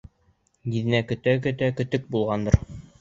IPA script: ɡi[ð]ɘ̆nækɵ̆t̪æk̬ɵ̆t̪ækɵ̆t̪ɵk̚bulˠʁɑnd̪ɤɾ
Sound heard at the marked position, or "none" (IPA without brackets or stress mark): ð